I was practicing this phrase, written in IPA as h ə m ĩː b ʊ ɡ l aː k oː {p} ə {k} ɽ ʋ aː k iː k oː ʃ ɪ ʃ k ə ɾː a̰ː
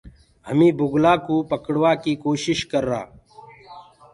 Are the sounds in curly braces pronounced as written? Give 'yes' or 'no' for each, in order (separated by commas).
yes, yes